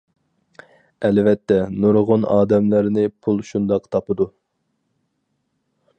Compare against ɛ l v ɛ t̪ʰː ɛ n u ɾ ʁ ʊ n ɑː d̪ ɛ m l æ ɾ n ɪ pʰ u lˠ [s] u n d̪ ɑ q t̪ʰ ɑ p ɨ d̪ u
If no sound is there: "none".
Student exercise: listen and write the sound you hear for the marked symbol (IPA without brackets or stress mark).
ʃ